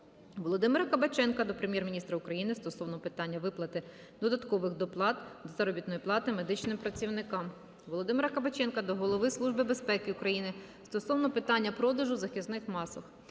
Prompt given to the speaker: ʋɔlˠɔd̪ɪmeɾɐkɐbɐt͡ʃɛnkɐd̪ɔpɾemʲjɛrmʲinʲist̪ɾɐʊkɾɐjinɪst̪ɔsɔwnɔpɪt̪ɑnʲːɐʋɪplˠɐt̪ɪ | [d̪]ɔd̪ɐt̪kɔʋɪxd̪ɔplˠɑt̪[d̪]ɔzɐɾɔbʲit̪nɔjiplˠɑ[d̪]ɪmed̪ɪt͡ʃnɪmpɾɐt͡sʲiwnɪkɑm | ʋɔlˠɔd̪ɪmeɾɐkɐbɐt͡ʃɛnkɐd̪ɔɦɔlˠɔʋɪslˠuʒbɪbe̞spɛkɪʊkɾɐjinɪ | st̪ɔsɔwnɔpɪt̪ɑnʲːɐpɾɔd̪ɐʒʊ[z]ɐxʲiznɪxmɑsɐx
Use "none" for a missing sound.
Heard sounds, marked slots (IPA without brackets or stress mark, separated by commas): d̪, d̪, t̪, z